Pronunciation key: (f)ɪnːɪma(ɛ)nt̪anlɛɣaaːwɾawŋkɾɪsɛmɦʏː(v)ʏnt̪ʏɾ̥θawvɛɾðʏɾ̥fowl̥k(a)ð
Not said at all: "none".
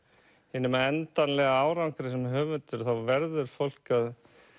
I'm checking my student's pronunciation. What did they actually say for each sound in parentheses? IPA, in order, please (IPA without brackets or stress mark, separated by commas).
h, ɛ, v, a